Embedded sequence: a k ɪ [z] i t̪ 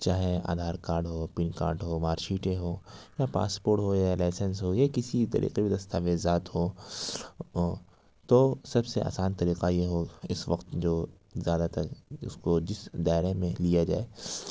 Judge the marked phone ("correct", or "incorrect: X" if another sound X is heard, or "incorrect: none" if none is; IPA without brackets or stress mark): incorrect: s